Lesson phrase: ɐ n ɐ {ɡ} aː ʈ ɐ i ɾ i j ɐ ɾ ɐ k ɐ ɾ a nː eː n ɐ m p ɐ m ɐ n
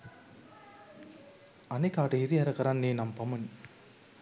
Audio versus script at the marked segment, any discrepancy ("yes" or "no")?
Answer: yes